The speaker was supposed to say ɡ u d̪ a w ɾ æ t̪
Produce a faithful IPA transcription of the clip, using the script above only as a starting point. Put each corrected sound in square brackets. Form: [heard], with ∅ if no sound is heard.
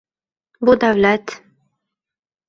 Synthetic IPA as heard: [b] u d̪ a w [l] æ t̪